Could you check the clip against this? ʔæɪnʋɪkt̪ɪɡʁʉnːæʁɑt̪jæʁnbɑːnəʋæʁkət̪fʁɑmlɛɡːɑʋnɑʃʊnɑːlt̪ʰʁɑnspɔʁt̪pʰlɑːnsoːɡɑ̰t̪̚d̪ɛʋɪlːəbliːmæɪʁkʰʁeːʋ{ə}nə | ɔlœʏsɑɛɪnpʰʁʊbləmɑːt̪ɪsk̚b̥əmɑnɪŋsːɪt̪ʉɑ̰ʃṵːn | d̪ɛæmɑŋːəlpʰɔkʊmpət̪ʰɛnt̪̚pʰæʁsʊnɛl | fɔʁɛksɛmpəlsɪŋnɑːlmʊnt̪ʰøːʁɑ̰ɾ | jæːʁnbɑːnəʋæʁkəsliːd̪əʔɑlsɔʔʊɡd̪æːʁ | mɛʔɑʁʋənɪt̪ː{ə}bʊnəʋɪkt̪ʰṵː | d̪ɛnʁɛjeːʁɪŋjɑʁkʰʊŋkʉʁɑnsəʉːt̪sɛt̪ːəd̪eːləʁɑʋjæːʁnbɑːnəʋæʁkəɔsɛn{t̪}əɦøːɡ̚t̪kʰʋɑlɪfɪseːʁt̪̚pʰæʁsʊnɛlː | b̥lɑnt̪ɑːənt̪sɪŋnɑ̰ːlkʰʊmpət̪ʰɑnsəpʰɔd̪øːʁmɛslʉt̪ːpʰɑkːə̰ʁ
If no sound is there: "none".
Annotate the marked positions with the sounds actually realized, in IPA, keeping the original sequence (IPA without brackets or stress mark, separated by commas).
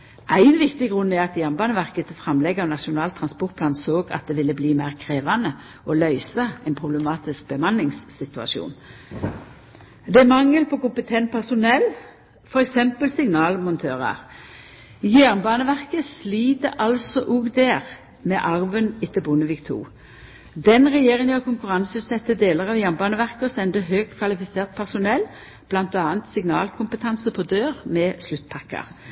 ɑ, ə, d̪